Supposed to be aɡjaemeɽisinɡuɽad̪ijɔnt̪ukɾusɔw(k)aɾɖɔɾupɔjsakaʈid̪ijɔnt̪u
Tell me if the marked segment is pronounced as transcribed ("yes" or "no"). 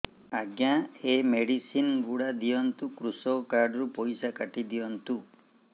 yes